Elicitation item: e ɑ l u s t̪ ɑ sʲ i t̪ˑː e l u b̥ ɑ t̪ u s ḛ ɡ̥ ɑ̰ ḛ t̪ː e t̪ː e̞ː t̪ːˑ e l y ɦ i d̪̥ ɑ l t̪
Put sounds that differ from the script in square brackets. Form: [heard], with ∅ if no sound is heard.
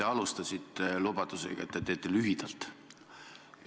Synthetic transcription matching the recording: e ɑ l u s t̪ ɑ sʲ i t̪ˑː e l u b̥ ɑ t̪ u s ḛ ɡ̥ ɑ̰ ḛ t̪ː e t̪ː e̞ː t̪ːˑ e l y ɦ i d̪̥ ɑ l t̪